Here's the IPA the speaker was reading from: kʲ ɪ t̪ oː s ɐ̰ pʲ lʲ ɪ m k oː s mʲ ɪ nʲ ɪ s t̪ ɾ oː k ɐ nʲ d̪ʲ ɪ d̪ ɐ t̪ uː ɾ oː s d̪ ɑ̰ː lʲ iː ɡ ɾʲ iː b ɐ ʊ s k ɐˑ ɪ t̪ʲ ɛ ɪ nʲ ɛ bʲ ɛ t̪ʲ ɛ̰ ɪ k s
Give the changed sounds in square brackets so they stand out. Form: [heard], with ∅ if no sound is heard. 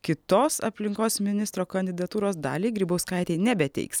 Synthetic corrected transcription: kʲ ɪ t̪ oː s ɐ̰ pʲ lʲ ɪ [ŋ] k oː s mʲ ɪ nʲ ɪ s t̪ ɾ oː k ɐ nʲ d̪ʲ ɪ d̪ ɐ t̪ uː ɾ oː s d̪ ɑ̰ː lʲ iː ɡ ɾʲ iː b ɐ ʊ s k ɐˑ ɪ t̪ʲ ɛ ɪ nʲ ɛ bʲ ɛ t̪ʲ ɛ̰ ɪ k s